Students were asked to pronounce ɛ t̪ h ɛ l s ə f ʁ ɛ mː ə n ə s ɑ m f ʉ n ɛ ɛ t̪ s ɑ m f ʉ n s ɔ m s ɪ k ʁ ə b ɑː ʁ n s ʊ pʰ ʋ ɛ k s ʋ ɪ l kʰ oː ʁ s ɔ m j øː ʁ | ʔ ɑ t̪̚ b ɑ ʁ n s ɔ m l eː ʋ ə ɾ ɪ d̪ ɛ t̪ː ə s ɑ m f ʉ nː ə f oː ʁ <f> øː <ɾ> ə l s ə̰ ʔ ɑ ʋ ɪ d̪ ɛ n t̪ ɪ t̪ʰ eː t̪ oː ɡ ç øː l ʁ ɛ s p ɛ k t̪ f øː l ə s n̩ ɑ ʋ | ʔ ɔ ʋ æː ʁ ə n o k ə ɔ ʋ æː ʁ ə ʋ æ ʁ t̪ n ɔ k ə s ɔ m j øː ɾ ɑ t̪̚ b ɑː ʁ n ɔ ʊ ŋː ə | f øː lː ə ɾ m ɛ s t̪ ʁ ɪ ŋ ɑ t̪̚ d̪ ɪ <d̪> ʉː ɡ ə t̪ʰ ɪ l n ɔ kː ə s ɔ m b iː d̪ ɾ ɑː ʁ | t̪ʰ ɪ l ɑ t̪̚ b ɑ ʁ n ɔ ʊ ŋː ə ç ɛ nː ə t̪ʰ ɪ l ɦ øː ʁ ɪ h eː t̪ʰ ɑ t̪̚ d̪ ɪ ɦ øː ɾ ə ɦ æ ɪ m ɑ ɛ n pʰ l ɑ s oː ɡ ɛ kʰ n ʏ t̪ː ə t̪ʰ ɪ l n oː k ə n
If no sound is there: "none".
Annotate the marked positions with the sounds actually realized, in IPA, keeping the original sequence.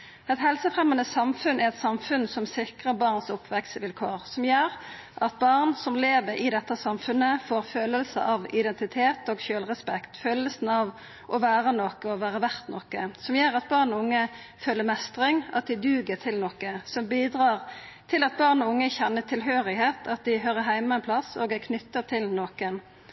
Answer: f, l, d̪

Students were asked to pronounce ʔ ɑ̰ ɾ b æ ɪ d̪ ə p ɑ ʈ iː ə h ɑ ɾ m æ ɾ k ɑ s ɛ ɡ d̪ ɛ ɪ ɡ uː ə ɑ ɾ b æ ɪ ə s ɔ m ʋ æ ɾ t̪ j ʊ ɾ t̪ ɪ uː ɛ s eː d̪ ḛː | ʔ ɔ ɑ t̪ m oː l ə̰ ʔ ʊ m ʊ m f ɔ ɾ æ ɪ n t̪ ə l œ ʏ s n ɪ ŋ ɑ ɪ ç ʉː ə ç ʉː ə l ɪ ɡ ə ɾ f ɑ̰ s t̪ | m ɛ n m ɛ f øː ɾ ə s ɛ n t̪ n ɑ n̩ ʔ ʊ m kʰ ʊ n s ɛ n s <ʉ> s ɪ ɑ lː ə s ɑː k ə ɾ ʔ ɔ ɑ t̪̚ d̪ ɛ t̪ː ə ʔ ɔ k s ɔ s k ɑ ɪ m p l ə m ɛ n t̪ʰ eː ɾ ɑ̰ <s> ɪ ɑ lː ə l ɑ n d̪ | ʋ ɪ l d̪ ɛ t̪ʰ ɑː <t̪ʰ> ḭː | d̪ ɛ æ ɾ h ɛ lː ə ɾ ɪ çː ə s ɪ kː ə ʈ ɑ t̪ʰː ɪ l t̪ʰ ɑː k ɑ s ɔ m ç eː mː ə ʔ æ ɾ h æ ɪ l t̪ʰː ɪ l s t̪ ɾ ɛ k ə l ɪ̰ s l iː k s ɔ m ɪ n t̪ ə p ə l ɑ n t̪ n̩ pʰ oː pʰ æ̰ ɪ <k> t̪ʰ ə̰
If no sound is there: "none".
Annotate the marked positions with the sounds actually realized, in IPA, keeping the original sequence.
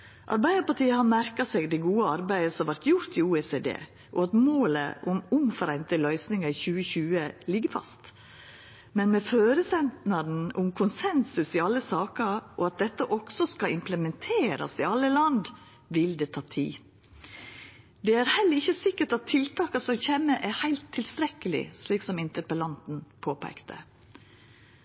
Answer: ʉ, s, t̪ʰ, k

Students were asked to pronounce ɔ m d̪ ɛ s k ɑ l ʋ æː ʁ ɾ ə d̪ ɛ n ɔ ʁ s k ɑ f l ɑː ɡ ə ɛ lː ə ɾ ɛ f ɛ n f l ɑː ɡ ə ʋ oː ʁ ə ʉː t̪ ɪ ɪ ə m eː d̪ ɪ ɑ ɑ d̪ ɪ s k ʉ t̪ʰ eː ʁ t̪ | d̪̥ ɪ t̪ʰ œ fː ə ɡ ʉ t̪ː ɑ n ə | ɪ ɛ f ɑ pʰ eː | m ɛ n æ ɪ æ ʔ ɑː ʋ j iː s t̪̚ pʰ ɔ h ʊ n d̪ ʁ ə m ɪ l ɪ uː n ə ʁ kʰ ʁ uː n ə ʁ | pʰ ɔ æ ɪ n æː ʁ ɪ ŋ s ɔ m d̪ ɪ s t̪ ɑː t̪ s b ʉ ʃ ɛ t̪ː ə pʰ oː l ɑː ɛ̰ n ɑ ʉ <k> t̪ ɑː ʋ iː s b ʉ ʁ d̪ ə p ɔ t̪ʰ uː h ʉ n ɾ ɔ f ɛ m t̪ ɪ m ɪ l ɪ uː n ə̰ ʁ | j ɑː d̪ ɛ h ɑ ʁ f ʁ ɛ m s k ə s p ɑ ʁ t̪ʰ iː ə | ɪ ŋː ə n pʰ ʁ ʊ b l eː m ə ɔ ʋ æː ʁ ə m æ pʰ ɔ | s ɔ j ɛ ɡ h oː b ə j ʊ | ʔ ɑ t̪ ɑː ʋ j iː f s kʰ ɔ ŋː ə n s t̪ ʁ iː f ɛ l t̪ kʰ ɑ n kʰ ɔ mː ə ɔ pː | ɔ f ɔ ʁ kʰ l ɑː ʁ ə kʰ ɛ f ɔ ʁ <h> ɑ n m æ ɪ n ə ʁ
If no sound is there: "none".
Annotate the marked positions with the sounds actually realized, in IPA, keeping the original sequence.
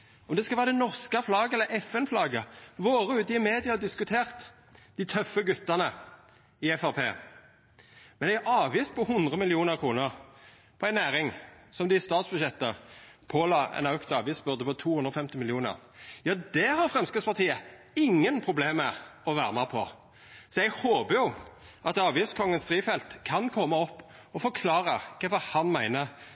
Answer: k, h

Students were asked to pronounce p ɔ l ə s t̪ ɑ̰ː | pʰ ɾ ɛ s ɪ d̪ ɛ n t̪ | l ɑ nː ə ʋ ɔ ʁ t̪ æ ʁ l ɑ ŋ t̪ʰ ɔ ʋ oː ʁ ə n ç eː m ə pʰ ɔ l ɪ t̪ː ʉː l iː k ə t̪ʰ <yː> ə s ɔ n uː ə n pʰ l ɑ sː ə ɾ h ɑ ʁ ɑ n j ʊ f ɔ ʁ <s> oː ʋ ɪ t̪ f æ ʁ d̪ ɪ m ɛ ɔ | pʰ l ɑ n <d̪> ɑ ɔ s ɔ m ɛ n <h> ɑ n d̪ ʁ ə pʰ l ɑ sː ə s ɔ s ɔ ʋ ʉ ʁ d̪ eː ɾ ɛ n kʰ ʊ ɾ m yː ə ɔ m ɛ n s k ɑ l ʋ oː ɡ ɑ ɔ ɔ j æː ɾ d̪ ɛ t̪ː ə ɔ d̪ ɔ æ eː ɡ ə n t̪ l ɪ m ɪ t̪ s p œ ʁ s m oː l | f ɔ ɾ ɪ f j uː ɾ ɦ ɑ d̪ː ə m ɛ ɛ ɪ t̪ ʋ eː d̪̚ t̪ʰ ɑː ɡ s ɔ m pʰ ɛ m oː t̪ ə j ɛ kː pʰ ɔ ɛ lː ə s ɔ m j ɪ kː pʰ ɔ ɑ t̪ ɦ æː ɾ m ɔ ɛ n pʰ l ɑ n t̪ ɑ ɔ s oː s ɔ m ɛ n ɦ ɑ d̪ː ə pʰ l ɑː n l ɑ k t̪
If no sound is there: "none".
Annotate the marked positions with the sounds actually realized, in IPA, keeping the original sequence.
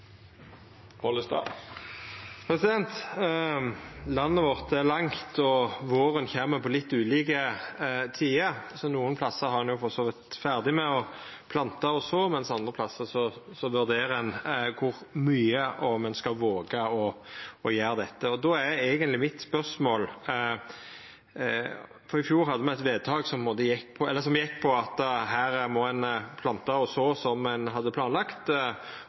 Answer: iː, s, t̪, s

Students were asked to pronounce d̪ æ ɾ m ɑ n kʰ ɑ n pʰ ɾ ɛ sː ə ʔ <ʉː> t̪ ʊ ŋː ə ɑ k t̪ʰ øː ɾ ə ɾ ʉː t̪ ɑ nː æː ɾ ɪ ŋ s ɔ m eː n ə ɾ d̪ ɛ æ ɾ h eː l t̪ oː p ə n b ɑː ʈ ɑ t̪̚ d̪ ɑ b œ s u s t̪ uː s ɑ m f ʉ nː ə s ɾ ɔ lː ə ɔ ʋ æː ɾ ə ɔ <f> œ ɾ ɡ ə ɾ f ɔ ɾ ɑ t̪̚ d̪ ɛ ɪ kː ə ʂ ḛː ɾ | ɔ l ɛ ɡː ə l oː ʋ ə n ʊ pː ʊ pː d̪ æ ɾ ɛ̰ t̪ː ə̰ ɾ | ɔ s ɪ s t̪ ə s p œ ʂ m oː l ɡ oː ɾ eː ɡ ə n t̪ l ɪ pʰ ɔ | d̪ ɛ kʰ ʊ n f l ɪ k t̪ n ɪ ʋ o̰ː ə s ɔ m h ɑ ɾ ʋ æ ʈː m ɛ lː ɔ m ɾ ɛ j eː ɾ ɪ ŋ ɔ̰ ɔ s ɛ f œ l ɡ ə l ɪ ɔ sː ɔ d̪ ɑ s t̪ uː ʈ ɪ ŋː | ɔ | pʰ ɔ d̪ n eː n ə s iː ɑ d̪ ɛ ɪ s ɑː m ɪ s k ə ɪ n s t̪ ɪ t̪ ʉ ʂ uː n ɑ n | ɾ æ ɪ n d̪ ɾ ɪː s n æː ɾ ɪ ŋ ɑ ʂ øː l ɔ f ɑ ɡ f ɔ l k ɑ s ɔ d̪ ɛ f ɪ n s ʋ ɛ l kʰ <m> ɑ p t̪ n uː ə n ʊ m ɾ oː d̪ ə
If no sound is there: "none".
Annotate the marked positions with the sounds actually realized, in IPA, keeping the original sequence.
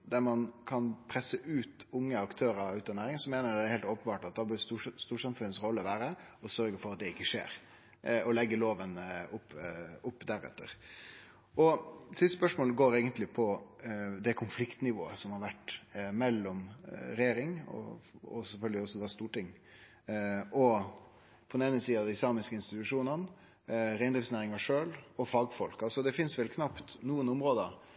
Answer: ʉː, s, n

